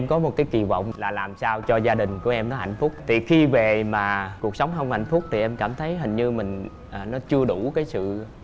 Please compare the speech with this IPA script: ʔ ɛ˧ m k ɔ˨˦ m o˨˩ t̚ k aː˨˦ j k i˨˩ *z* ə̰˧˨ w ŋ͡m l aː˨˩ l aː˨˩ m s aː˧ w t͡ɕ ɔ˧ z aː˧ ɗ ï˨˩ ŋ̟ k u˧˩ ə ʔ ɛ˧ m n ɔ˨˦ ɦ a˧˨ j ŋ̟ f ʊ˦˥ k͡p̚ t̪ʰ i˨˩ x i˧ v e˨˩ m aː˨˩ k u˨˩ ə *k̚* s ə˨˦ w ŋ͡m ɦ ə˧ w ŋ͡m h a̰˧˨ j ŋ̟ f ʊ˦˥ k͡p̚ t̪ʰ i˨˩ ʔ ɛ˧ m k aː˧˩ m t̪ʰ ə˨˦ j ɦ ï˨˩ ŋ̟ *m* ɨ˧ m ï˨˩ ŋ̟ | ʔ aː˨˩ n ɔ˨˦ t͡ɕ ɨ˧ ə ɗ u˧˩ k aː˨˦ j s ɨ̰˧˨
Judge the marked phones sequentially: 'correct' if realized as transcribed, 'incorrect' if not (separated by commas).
incorrect, correct, incorrect